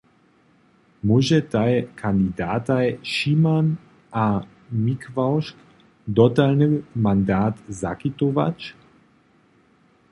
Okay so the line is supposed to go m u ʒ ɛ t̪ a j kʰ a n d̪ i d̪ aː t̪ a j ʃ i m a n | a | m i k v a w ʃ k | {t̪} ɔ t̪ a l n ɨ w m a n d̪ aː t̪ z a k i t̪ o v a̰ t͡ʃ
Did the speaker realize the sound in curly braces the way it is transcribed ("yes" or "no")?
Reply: no